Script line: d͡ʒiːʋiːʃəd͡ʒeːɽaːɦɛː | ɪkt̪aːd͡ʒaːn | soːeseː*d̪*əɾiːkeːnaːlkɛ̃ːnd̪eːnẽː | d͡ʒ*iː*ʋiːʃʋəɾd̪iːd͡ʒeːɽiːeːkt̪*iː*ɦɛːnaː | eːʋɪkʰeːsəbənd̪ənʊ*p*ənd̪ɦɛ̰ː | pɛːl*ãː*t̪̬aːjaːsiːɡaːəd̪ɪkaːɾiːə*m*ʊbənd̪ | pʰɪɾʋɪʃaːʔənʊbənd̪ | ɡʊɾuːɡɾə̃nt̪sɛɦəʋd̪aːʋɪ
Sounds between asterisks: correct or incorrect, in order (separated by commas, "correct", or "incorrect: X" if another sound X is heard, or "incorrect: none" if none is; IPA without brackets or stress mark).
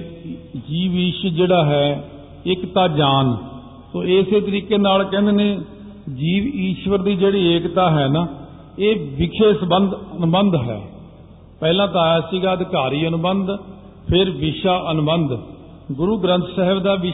incorrect: t̪, correct, incorrect: aː, incorrect: b, correct, incorrect: n